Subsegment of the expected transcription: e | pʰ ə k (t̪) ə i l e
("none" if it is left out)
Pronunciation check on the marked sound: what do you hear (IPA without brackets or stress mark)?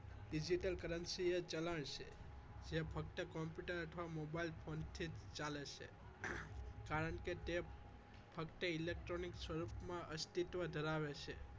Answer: t̪